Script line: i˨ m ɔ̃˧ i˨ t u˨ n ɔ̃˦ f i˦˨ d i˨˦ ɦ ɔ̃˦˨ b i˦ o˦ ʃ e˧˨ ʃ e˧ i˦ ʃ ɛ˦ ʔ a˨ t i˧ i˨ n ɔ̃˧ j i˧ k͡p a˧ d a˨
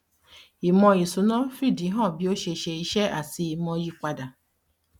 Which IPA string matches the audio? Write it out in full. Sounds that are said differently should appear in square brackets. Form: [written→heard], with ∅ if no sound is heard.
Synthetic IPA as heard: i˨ m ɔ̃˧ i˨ [t→s] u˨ n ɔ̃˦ f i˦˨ d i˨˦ ɦ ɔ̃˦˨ b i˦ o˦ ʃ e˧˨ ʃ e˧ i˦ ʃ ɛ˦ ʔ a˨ [t→s] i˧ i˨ [n→m] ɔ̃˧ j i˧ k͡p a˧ d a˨